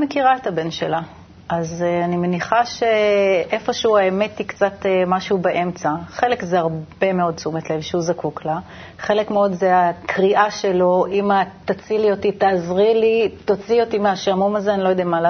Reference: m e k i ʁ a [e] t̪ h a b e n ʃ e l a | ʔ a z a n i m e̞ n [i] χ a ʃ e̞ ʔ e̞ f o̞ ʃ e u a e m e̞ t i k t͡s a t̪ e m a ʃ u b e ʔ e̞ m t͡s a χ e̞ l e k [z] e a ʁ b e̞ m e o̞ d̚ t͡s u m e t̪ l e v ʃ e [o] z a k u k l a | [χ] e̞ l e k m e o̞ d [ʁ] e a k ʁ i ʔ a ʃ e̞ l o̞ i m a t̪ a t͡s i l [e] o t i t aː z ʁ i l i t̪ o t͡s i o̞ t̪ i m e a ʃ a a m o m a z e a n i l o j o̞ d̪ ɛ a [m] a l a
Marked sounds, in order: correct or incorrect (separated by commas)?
correct, correct, correct, incorrect, correct, incorrect, incorrect, correct